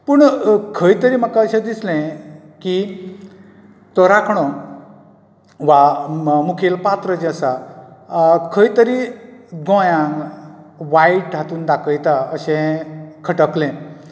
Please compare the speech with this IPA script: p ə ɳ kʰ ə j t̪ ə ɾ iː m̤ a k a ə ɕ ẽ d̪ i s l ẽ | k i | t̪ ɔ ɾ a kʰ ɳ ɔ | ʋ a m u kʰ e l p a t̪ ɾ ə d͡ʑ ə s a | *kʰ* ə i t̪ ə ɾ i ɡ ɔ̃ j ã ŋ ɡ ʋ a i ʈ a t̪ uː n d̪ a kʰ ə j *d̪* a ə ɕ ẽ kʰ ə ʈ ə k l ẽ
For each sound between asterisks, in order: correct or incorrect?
correct, incorrect: t̪

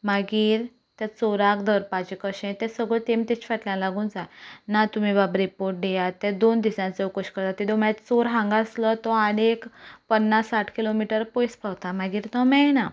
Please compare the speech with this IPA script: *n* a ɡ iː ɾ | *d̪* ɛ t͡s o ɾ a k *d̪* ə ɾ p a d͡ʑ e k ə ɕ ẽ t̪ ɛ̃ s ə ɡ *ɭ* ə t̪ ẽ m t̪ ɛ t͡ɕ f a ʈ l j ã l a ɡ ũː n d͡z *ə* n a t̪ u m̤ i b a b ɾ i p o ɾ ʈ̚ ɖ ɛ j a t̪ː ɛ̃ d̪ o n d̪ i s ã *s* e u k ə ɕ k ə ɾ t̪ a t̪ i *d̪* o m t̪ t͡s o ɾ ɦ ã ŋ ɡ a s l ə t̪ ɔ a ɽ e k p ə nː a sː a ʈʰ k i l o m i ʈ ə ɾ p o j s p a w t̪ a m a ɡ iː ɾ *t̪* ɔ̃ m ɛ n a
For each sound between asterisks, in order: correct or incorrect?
incorrect: m, incorrect: t̪, correct, correct, incorrect: a, incorrect: t͡s, correct, correct

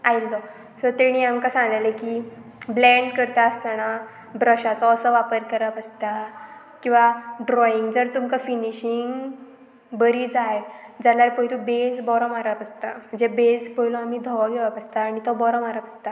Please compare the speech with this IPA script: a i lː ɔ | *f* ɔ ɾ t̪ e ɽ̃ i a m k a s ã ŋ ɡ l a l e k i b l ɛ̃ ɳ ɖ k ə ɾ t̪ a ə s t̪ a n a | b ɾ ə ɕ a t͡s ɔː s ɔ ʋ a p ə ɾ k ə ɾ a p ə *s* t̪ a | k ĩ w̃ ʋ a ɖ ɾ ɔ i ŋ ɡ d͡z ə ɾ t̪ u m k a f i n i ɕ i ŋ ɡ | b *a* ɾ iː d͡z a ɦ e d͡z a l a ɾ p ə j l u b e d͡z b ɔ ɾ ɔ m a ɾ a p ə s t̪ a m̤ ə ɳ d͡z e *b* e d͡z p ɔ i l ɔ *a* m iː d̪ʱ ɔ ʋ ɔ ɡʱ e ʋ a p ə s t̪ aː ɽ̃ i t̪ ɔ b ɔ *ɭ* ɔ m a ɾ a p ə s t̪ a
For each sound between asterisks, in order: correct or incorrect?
incorrect: s, correct, incorrect: ə, correct, correct, incorrect: ɾ

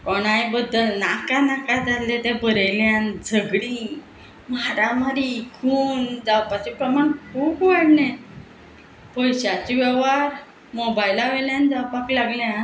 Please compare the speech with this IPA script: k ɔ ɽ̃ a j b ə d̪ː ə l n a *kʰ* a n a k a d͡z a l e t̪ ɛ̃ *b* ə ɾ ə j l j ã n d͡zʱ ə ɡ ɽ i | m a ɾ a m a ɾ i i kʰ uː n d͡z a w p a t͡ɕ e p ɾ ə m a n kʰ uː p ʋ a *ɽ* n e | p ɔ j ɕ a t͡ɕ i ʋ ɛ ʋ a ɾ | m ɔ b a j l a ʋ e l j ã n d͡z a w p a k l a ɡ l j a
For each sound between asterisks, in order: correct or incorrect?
incorrect: k, correct, correct

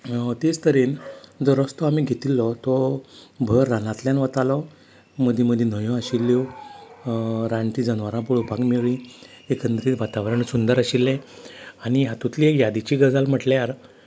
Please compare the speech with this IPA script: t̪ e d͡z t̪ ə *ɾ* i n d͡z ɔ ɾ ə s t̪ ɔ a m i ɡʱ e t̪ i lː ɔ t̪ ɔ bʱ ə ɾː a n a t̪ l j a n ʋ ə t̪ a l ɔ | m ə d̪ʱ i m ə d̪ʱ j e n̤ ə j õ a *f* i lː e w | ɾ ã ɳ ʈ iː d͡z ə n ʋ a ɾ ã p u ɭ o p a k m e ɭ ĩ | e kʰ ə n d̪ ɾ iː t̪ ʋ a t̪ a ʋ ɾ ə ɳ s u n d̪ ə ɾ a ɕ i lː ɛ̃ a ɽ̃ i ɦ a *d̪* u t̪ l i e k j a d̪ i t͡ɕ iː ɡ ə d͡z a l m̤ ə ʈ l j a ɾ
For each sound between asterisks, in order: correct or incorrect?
correct, incorrect: ɕ, incorrect: t̪

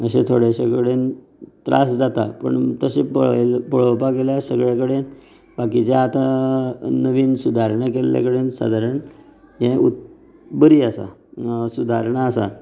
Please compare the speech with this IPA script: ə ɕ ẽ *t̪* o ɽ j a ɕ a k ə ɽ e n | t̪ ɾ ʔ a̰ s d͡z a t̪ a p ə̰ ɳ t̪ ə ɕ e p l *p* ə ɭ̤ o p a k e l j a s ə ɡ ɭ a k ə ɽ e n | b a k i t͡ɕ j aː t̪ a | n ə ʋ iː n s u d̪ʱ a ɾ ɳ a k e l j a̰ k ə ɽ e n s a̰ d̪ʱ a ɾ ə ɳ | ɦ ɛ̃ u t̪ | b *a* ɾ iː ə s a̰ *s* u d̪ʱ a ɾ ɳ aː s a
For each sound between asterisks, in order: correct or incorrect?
incorrect: t̪ʰ, correct, incorrect: ə, correct

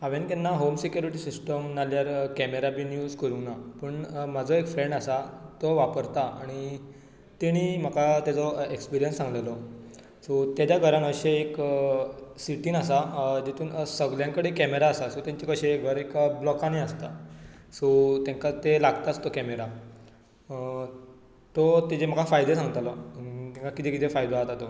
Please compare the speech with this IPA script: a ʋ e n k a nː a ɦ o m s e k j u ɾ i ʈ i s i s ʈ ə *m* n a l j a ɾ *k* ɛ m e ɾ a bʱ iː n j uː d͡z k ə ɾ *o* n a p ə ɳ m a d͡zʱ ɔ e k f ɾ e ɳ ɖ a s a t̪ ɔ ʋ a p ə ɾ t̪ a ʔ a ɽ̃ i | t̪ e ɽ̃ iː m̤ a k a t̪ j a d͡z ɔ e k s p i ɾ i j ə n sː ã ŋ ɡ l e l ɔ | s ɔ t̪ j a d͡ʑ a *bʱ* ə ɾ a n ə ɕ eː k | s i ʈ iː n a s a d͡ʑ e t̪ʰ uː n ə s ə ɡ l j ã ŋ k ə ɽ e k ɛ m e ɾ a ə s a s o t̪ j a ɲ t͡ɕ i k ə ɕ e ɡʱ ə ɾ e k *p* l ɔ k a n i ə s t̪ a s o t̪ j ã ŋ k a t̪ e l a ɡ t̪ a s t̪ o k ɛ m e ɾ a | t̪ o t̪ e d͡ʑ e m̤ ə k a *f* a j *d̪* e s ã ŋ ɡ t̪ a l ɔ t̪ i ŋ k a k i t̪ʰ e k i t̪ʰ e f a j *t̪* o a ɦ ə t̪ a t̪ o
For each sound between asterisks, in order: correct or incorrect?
correct, correct, incorrect: u, incorrect: ɡʱ, incorrect: b, correct, correct, incorrect: d̪

